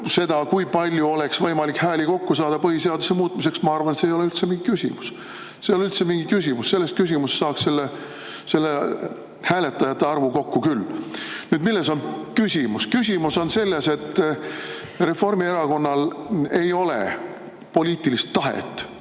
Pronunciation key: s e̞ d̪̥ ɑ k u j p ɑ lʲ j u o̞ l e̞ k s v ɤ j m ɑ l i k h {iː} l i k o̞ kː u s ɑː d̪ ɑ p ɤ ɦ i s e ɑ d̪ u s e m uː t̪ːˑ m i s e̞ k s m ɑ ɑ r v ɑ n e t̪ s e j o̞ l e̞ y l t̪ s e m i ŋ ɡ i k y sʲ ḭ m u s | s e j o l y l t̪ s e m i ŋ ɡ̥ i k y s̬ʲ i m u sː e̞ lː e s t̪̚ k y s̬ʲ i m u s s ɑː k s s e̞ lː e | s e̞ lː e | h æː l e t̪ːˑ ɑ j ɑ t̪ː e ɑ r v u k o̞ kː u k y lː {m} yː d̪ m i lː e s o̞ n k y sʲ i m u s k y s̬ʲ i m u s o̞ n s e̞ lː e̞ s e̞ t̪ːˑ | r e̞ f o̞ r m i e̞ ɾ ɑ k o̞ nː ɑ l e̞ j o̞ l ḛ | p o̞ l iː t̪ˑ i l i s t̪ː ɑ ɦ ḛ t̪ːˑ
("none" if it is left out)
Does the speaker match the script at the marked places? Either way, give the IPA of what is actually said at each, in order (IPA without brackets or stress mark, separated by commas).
æː, n